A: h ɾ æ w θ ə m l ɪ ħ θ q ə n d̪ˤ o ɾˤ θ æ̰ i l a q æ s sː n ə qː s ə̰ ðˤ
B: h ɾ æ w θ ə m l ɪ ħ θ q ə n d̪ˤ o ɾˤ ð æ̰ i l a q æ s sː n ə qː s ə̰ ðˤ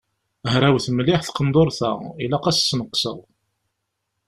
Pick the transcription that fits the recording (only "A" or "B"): A